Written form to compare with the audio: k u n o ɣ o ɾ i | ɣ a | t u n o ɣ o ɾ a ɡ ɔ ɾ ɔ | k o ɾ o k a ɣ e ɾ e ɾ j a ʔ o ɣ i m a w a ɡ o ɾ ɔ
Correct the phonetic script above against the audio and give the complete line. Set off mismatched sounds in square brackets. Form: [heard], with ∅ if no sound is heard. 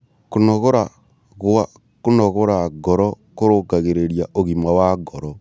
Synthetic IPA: k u n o ɣ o ɾ [a] | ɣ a | [k] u n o ɣ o ɾ a ɡ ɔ ɾ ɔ | k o ɾ o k a ɣ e ɾ e ɾ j a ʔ o ɣ i m a w a ɡ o ɾ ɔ